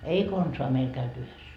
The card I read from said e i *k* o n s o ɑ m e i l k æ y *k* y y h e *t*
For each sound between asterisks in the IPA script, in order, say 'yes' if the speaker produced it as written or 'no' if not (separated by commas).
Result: yes, no, no